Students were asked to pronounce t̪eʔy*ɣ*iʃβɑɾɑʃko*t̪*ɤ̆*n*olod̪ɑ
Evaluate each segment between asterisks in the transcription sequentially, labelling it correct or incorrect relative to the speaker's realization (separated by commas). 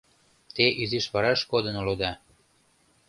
incorrect, incorrect, correct